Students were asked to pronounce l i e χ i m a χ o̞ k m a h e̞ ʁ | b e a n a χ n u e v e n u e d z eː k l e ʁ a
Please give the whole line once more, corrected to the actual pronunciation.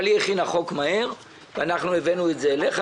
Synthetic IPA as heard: l i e χ i n a χ o̞ k m a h e̞ ʁ | v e a n a χ n u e v e n u e t z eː l e χ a